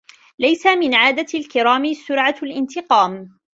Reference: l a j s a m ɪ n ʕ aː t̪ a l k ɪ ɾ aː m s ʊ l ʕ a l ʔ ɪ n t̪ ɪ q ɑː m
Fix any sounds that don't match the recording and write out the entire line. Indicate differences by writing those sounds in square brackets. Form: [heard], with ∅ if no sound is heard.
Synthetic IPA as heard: l a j s a m ɪ n ʕ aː [d̪] a l k ɪ ɾ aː m s ʊ [ɾ] ʕ a l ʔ ɪ n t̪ ɪ q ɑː m